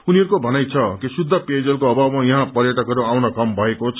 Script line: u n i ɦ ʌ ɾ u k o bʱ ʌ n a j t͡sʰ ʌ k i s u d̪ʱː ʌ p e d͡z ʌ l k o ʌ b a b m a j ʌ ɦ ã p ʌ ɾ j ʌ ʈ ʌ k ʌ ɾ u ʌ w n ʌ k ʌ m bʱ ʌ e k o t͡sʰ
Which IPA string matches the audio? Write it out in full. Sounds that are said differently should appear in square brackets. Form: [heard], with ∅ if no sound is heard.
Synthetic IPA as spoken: u n i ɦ ʌ ɾ u k o bʱ ʌ n a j t͡sʰ ʌ k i s u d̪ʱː ʌ p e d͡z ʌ l k o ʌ b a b m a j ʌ ɦ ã p ʌ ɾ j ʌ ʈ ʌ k ʌ ɾ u [a] w n ʌ k ʌ m bʱ ʌ e k o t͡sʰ